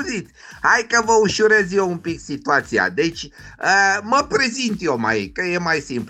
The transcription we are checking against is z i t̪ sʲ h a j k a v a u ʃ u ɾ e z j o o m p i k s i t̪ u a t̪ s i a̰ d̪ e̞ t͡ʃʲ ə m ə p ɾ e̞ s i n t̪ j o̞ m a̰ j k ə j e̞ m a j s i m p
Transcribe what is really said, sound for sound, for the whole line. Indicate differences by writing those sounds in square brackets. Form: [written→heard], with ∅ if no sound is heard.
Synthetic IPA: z i t̪ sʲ h a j k [a→ə] v [a→ə] u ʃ u ɾ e z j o [o→u] m p i k s i t̪ u a t̪ s i a̰ d̪ e̞ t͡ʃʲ ə m ə p ɾ e̞ [s→z] i n t̪ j o̞ m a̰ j k ə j e̞ m a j s i m p